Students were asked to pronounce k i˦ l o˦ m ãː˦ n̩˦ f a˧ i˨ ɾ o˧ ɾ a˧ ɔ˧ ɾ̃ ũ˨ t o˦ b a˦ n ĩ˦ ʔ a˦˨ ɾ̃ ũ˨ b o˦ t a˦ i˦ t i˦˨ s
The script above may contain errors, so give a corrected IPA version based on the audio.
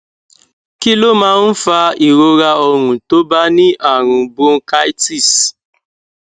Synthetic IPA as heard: k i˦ l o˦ m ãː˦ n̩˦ f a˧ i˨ ɾ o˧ ɾ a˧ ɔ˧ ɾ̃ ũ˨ t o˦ b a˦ n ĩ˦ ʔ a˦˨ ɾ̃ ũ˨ b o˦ k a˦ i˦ t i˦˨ s